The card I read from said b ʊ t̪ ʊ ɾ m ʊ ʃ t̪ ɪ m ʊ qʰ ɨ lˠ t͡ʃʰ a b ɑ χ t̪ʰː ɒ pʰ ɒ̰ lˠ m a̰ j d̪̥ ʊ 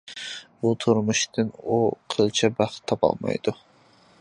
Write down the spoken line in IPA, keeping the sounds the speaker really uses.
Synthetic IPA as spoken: b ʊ t̪ʰ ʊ ɾ m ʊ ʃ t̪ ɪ n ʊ qʰ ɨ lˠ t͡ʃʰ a b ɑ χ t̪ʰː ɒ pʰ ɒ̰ lˠ m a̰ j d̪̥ ʊ

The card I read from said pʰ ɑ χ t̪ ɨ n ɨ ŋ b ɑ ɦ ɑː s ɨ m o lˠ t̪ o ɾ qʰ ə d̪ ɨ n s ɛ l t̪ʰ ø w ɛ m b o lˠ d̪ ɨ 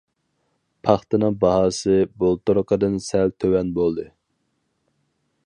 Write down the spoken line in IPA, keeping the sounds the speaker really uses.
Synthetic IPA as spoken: pʰ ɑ χ t̪ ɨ n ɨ ŋ b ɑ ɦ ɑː s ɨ b o lˠ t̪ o ɾ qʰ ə d̪ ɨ n s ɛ l t̪ʰ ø w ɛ n b o lˠ d̪ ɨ

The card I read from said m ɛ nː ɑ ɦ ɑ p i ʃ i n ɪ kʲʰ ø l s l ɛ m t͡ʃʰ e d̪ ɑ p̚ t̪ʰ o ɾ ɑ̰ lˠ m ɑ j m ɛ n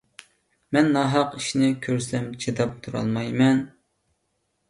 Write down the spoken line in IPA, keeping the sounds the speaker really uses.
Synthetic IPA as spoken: m ɛ nː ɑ ɦ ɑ q i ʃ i n ɪ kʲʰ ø ɾ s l ɛ m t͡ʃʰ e d̪ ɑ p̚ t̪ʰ u ɾ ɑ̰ lˠ m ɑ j m ɛ n

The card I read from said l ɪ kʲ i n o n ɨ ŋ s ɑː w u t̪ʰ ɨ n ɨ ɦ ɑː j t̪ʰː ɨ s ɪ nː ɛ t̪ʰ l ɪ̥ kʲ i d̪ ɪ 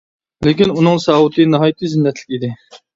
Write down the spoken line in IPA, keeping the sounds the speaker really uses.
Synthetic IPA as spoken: l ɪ kʲ i n u n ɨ ŋ s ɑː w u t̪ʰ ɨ n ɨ ɦ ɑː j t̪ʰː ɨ z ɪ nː ɛ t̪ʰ l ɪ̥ kʲ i d̪ ɪ

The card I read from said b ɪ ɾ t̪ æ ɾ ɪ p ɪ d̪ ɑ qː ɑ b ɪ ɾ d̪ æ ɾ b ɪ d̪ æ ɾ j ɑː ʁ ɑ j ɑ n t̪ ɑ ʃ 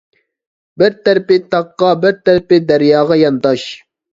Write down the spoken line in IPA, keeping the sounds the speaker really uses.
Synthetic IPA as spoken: b ɪ ɾ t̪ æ ɾ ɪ p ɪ t̪ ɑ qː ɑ b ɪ ɾ t̪ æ ɾ p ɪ d̪ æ ɾ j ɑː ʁ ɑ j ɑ n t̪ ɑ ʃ

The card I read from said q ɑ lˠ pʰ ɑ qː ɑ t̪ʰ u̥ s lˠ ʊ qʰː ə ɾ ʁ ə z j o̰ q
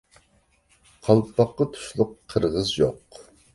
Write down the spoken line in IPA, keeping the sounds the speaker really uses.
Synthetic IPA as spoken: qʰ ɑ lˠ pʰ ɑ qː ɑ t̪ʰ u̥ ʃ lˠ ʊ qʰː ə ɾ ʁ ə z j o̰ q

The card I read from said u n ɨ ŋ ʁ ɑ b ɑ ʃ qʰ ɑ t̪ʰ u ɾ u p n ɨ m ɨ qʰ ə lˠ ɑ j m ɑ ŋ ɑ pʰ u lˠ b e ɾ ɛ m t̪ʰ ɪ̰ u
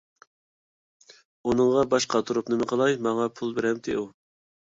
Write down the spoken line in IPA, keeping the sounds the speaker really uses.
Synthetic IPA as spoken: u n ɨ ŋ ʁ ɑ b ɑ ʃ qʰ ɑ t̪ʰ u ɾ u p n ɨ m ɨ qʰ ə lˠ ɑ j m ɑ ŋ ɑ pʰ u lˠ b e ɾ ɛ m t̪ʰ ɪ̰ u

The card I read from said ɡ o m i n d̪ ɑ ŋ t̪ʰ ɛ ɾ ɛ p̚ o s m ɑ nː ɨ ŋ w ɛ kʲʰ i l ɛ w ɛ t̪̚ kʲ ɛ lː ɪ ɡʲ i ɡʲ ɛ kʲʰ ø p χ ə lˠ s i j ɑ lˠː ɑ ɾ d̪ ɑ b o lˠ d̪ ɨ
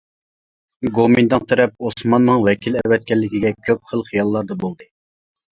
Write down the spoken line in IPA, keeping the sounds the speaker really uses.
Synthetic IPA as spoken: ɡ o m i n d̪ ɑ ŋ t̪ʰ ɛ ɾ ɛ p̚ o s m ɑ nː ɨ ŋ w ɛ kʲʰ i l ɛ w ɛ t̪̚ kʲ ɛ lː ɪ kʲ i ɡʲ ɛ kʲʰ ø p χ ə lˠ χ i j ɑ lˠː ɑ ɾ d̪ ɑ b o lˠ d̪ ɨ

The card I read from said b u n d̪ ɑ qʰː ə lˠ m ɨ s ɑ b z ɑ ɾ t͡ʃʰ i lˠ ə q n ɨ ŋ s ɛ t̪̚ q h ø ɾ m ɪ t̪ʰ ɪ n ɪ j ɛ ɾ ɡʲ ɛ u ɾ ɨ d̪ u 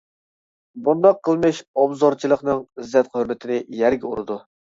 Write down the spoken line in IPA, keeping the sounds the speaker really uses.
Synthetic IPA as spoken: b u n d̪ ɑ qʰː ə lˠ m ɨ ʃ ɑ b z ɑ ɾ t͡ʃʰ i lˠ ə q n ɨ ŋ z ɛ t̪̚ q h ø ɾ m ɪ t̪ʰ ɪ n ɪ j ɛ ɾ ɡʲ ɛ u ɾ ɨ d̪ u

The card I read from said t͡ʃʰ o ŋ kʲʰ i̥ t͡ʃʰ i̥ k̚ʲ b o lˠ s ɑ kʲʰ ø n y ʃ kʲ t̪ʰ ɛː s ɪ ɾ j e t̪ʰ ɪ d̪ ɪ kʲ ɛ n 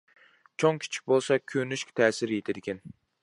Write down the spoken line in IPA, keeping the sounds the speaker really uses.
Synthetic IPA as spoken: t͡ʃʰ o ŋ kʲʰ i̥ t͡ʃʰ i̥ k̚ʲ b o lˠ s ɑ kʲʰ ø n y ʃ kʲ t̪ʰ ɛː s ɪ ɾ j e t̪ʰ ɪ d̪ ɪ kʲ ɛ n

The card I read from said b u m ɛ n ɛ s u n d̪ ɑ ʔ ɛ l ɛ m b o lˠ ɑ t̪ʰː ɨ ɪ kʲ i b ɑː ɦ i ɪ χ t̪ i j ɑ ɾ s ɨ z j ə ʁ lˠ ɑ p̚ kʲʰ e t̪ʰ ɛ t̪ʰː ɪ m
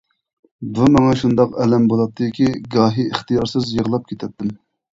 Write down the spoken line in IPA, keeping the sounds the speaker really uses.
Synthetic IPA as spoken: b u m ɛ ŋ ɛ ʃ u n d̪ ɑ q ɛ l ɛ m b o lˠ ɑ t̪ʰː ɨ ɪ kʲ i ɡ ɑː ɦ i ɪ χ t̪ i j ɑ ɾ s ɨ z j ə ʁ lˠ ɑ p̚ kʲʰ e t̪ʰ ɛ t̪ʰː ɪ m

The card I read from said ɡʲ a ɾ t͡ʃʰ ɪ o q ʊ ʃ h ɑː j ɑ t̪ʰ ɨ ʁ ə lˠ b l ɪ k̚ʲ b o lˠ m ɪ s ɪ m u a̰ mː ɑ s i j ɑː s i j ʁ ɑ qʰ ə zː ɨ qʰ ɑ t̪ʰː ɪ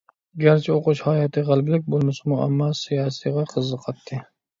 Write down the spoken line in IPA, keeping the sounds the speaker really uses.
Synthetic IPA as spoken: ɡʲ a ɾ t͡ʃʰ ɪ o q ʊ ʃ h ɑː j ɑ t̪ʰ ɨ ʁ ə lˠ b l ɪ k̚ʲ b o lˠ m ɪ s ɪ m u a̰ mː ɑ s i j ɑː s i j ʁ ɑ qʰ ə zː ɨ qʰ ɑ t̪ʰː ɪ

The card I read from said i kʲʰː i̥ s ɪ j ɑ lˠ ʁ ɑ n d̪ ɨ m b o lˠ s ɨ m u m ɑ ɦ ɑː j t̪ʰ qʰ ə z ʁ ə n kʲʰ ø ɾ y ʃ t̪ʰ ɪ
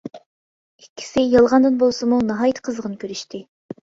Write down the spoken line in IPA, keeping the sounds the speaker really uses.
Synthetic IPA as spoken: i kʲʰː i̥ s ɪ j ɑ lˠ ʁ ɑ n d̪ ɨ n b o lˠ s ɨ m u n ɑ ɦ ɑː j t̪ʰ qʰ ə z ʁ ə n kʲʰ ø ɾ y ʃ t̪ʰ ɪ

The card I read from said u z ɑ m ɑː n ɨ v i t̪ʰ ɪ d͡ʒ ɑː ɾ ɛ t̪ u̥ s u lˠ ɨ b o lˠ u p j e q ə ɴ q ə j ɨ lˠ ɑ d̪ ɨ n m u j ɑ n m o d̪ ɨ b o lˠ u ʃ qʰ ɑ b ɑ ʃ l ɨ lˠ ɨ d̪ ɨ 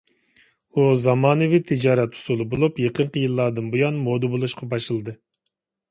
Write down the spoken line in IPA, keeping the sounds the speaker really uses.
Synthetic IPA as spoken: u z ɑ m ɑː n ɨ v i t̪ʰ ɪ d͡ʒ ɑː ɾ ɛ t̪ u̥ s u lˠ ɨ b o lˠ u p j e q ə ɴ q ə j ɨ lˠː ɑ d̪ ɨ n b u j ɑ n m o d̪ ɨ b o lˠ u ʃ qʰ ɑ b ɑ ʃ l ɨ lˠ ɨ d̪ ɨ

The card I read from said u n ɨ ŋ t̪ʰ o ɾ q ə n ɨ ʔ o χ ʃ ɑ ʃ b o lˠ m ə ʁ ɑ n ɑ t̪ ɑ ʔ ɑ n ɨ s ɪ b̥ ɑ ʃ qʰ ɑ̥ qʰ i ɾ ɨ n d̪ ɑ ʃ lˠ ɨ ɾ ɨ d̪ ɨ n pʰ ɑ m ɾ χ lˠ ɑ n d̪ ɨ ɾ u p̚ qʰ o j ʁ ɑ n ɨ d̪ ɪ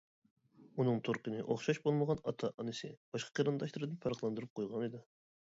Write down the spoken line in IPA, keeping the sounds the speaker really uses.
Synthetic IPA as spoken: u n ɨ ŋ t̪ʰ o ɾ q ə n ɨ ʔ o χ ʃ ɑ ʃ b o lˠ m ə ʁ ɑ n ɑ t̪ʰ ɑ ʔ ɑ n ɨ s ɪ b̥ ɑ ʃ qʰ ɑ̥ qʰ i ɾ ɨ n d̪ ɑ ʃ lˠ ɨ ɾ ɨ d̪ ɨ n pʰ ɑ ɾ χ lˠ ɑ n d̪ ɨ ɾ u p̚ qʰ o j ʁ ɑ n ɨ d̪ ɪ

